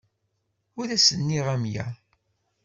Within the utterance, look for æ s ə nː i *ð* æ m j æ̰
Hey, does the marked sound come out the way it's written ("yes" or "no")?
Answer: no